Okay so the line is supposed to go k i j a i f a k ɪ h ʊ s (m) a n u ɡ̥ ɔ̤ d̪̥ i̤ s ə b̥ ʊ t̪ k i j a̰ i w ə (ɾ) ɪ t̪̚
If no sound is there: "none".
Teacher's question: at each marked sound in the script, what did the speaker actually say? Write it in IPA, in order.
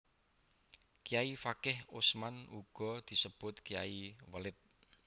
m, l

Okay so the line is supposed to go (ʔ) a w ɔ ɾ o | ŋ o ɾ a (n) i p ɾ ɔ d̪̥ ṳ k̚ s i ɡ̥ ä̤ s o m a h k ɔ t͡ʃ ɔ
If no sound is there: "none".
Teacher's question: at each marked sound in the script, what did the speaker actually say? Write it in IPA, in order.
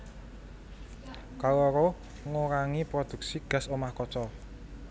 k, ŋ

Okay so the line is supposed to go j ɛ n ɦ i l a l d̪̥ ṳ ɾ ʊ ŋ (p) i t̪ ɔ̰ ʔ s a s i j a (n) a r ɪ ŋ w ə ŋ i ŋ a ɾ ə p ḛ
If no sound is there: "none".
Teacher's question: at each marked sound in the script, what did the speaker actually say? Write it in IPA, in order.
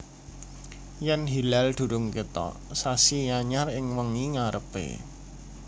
k, ɲ

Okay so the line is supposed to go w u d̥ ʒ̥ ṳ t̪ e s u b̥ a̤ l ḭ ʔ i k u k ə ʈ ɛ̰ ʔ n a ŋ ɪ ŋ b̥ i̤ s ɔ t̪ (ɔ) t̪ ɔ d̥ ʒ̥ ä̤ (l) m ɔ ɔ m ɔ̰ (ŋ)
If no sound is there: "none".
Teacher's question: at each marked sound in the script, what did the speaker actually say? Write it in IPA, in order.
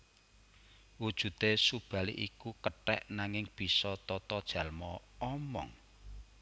ɔ, l, ŋ

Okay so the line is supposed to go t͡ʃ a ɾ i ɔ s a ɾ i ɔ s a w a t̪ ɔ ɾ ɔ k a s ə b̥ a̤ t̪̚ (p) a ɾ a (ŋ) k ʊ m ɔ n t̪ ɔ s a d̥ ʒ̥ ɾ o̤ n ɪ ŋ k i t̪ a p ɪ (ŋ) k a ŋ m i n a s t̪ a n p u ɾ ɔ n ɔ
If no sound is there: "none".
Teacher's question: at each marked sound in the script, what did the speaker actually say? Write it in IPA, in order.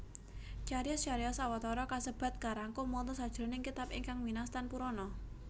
k, ŋ, ŋ

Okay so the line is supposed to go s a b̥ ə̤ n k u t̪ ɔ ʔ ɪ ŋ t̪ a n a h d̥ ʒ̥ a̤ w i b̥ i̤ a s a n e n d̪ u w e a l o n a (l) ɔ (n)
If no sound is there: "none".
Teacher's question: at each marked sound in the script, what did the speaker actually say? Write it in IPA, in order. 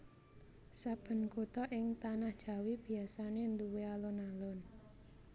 l, n

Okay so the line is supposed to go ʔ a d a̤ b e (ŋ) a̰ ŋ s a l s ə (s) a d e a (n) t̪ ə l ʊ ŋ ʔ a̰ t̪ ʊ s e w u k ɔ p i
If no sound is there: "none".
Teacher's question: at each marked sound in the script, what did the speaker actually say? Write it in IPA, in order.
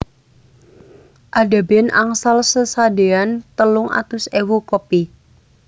n, s, n

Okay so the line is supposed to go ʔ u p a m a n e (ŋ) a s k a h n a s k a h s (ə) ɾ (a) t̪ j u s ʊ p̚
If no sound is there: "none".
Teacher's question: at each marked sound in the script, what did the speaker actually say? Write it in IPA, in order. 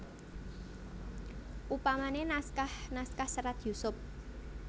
n, ə, a

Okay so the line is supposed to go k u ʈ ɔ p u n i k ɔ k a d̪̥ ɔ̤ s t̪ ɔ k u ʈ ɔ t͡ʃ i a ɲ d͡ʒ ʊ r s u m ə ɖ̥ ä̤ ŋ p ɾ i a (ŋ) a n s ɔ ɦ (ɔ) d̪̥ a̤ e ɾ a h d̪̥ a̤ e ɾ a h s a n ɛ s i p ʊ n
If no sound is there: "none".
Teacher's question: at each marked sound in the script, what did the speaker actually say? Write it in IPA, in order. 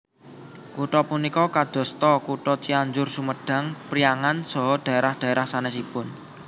ŋ, ɔ

